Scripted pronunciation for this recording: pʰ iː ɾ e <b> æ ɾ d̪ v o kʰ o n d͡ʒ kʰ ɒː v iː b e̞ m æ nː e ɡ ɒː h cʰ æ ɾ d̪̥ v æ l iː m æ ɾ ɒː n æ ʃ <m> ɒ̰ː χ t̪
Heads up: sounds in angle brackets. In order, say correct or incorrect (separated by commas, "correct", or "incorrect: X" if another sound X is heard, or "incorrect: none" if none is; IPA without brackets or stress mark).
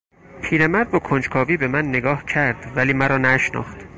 incorrect: m, incorrect: n